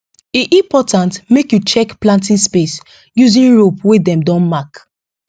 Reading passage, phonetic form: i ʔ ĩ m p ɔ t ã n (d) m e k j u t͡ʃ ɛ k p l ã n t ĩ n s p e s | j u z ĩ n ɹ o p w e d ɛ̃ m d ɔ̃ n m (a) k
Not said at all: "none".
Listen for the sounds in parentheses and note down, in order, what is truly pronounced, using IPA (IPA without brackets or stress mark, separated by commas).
t, a